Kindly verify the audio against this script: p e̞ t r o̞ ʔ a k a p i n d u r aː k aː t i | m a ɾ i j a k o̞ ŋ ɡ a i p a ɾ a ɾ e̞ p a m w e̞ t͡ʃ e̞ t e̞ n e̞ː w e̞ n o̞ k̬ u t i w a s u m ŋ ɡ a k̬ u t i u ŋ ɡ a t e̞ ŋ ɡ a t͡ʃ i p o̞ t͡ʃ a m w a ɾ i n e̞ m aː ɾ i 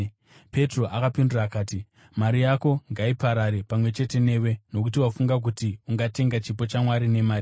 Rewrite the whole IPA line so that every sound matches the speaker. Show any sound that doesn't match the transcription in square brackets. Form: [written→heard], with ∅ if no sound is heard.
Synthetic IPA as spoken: p e̞ t r o̞ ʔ a k a p i n d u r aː k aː t i | m a ɾ i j a k o̞ ŋ ɡ a i p a ɾ a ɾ e̞ p a m w e̞ t͡ʃ e̞ t e̞ n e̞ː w e̞ n o̞ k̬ u t i w a [s→f] u [m→∅] ŋ ɡ a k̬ u t i u ŋ ɡ a t e̞ ŋ ɡ a t͡ʃ i p o̞ t͡ʃ a m w a ɾ i n e̞ m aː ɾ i